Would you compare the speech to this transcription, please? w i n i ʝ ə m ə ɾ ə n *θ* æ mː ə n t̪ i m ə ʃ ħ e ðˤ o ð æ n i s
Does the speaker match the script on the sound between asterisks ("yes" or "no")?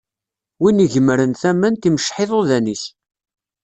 yes